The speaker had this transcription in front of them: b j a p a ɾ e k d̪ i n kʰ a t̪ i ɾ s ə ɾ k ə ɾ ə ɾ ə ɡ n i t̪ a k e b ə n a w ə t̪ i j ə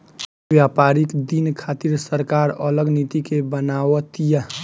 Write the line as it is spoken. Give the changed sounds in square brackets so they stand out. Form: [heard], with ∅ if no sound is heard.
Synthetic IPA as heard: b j a p a ɾ [i] k d̪ i n kʰ a t̪ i ɾ s ə ɾ k [a] ɾ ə [l] ə ɡ n i t̪ [i] k e b ə n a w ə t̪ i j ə

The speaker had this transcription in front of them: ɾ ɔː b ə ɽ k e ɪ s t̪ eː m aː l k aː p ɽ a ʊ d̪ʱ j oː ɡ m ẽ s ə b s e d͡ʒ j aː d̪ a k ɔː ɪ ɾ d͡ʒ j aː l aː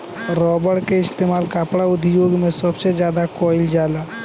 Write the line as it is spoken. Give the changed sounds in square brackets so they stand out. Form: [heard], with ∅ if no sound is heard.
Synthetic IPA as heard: ɾ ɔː b ə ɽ k e ɪ s t̪ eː m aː l k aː p ɽ a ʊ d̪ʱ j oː ɡ m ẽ s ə b s e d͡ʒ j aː d̪ a k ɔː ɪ [l] d͡ʒ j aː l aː

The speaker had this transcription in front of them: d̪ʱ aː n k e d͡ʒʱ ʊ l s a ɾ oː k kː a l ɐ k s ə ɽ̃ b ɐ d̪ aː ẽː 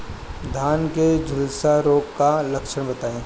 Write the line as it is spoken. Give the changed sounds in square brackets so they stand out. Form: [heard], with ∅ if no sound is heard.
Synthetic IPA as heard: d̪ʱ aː n k e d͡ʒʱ ʊ l s a ɾ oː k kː a l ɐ k [ʃ] ə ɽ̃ b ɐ [t̪] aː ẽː

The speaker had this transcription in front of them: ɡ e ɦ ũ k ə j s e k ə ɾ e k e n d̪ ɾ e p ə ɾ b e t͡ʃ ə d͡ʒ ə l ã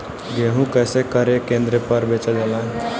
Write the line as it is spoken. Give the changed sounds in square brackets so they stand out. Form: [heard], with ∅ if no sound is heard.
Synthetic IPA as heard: ɡ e ɦ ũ k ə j s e k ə ɾ e k e n d̪ ɾ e p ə ɾ b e t͡ʃ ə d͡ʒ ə l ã

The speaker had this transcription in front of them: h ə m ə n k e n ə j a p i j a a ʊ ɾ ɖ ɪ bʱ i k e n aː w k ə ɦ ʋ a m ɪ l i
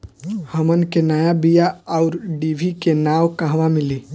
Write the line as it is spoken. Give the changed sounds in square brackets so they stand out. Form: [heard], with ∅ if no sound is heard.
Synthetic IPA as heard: h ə m ə n k e n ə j a [b] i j a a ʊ ɾ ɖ [i] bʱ i k e n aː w k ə ɦ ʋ a m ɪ l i

